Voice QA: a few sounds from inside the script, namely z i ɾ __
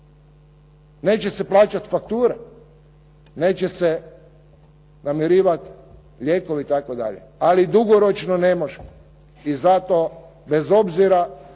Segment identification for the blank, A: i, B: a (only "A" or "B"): B